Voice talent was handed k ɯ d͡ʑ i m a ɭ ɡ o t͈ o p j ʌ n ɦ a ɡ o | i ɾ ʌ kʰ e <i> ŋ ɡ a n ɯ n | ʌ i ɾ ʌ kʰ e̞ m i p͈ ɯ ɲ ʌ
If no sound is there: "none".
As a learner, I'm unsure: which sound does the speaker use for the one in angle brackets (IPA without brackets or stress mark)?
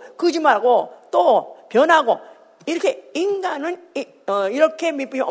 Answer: i